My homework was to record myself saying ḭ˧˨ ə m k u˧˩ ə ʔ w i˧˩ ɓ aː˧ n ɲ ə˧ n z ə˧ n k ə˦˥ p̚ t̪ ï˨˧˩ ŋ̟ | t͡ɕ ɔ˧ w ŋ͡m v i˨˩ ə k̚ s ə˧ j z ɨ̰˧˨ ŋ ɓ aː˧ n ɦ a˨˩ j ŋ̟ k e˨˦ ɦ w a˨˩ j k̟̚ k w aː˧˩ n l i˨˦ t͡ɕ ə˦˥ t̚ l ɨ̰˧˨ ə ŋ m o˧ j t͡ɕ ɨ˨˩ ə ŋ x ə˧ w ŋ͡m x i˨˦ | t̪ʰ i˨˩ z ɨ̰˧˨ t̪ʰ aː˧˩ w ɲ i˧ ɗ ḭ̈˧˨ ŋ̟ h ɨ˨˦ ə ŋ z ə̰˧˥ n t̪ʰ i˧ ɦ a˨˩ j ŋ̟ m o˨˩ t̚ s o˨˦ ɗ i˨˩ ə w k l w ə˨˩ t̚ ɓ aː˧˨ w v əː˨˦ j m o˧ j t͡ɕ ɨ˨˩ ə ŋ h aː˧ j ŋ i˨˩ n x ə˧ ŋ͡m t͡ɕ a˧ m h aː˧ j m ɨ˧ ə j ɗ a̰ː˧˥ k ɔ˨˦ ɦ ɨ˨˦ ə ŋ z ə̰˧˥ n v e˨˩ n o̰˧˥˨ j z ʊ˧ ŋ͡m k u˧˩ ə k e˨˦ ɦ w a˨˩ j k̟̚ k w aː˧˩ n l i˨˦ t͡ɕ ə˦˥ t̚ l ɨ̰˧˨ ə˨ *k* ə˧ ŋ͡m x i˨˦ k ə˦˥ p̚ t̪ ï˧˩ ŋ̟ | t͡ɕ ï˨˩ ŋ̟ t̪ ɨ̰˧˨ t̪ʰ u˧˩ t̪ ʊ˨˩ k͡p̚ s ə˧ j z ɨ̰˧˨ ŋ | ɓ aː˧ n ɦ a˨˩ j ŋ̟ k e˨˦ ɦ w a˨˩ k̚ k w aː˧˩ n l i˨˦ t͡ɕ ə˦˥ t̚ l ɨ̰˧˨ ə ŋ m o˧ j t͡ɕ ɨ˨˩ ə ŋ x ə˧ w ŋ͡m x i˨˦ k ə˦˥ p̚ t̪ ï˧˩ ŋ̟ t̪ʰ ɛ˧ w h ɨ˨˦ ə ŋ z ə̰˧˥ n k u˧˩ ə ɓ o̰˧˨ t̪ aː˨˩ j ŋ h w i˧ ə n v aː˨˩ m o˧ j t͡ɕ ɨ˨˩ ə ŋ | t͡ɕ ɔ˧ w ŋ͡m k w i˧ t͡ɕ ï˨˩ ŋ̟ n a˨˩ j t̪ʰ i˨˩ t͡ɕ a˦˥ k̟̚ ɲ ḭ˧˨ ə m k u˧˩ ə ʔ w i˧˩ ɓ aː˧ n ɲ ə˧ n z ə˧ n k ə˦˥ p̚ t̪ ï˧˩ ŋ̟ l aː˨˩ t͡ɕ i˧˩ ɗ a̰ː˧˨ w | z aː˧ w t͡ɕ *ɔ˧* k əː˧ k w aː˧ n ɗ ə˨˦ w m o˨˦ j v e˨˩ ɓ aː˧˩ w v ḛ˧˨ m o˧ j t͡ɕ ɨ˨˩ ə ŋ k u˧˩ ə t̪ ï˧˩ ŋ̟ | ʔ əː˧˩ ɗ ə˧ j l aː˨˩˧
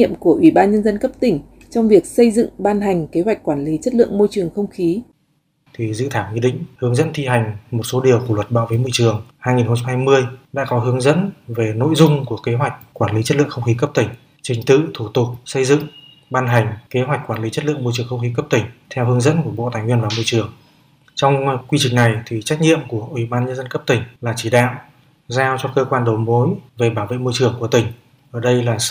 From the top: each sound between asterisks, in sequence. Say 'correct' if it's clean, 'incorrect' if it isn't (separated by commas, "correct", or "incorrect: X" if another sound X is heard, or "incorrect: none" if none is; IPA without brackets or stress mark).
incorrect: x, correct